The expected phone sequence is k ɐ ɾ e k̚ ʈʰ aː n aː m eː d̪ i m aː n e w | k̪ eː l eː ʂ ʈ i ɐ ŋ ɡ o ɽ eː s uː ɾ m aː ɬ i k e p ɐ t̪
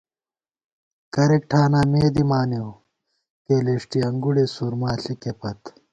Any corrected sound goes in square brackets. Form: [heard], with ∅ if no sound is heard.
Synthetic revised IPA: k ɐ ɾ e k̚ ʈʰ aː n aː m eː d̪ i m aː n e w | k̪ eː l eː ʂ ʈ i ɐ ŋ ɡ [u] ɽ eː s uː ɾ m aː ɬ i k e p ɐ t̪

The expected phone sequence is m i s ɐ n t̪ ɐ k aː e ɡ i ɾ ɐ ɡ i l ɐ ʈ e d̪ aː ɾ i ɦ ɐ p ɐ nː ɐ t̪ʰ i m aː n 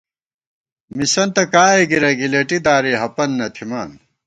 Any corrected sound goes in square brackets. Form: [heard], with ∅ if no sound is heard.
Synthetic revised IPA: m i s ɐ n t̪ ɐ k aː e ɡ i ɾ ɐ ɡ i l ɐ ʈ [i] d̪ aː ɾ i ɦ ɐ p ɐ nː ɐ t̪ʰ i m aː n

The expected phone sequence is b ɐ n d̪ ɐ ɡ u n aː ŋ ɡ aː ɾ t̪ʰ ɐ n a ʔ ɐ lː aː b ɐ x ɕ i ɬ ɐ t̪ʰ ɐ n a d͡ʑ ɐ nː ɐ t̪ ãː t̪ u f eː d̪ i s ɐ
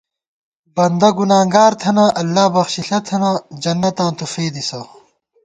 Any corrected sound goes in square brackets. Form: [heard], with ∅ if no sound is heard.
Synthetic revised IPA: b ɐ n d̪ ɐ ɡ u n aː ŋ ɡ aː ɾ t̪ʰ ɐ n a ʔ ɐ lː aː b ɐ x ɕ i ɬ ɐ t̪ʰ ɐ n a d͡ʑ ɐ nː ɐ t̪ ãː t̪ u f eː d̪ i s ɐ

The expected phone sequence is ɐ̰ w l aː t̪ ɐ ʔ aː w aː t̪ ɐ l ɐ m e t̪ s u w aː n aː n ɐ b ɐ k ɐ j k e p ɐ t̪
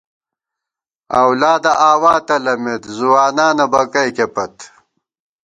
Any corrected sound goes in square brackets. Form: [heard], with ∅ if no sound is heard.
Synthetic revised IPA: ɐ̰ w l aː [d̪] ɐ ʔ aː w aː t̪ ɐ l ɐ m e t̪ [z] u w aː n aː n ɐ b ɐ k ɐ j k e p ɐ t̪

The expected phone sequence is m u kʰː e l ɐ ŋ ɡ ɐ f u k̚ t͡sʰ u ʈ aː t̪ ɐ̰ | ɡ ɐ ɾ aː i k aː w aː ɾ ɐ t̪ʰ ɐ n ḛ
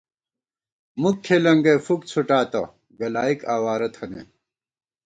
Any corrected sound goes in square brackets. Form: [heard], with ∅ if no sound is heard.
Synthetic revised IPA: m u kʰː e l ɐ ŋ ɡ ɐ f u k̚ t͡sʰ u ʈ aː t̪ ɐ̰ | ɡ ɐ [l] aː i k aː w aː ɾ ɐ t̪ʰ ɐ n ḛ

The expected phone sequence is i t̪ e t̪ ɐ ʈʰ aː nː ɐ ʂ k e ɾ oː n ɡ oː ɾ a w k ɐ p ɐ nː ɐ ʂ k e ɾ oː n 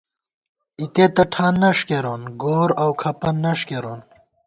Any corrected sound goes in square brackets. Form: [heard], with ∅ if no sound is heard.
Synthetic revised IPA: i t̪ e t̪ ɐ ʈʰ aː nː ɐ ʂ k e ɾ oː n ɡ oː ɾ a w [kʰ] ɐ p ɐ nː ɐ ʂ k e ɾ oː n

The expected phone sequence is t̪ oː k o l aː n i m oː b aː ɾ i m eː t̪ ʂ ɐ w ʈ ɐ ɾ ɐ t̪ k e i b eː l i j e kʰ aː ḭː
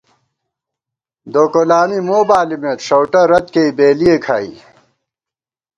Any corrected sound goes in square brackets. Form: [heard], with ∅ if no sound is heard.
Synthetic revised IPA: [d̪] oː k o l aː n i m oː b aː [l] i m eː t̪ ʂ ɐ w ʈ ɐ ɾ ɐ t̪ k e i b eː l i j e kʰ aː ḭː

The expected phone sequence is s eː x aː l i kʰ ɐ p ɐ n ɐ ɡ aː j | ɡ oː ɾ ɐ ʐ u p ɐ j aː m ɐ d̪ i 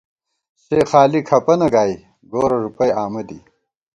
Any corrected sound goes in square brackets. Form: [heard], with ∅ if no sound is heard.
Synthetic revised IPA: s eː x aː l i kʰ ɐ p ɐ n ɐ ɡ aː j | ɡ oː ɾ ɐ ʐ u p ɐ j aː m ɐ d̪ i

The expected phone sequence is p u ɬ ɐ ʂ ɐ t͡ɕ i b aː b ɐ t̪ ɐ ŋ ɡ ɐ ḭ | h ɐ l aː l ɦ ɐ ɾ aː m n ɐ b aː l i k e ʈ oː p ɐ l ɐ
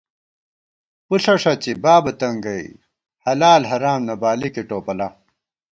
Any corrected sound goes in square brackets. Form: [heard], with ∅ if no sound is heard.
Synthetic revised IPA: p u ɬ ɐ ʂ ɐ t͡ɕ i b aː b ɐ t̪ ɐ ŋ ɡ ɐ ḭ | h ɐ l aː l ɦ ɐ ɾ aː m n ɐ b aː l i k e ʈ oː p ɐ l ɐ

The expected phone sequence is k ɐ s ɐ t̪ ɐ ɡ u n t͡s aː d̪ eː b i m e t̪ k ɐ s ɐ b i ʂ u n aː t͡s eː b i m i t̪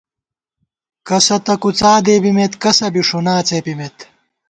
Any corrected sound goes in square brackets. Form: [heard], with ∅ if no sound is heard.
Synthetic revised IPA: k ɐ s ɐ t̪ ɐ [k] u [∅] t͡s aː d̪ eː b i m e t̪ k ɐ s ɐ b i ʂ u n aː t͡s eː [p] i m [e] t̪

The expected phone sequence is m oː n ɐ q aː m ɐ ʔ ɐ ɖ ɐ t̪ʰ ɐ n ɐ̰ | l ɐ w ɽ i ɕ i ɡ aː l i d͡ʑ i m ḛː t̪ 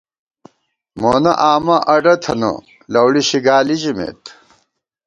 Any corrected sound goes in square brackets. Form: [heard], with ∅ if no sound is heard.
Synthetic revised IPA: m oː n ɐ [ʔ] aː m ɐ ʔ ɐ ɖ ɐ t̪ʰ ɐ n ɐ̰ | l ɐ w ɽ i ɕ i ɡ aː l i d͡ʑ i m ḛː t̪

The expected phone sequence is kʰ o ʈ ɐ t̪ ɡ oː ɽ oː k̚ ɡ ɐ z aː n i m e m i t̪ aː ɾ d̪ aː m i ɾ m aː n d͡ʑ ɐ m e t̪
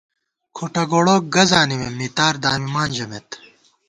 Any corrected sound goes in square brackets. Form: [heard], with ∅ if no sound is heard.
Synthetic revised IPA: kʰ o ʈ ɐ [∅] ɡ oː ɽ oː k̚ ɡ ɐ z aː n i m e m i t̪ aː ɾ d̪ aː m i [∅] m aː n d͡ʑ ɐ m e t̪

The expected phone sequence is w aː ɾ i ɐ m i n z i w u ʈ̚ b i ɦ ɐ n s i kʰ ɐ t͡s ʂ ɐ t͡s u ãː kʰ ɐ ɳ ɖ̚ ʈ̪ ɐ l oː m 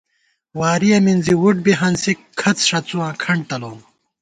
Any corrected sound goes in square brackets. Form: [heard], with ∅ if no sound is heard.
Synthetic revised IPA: w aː ɾ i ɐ m i n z i w u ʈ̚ b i ɦ ɐ n s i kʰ ɐ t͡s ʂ ɐ t͡s u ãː kʰ ɐ ɳ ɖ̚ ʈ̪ ɐ l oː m

